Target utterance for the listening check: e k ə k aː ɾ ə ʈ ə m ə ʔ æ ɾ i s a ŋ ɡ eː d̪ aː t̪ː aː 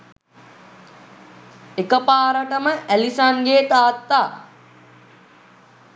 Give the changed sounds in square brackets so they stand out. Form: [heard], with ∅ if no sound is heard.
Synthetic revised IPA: e k ə [p] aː ɾ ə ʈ ə m ə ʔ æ [l] i s a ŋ ɡ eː [t̪] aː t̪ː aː